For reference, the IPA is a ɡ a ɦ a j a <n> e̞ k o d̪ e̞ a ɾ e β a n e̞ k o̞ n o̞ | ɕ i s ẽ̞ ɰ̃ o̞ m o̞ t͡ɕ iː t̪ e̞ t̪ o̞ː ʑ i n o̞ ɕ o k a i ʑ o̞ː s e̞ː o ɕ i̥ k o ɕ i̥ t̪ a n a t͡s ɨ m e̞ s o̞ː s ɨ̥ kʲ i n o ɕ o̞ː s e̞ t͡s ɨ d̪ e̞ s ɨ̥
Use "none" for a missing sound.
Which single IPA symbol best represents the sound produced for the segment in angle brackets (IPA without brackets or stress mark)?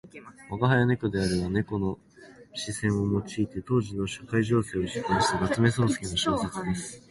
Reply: n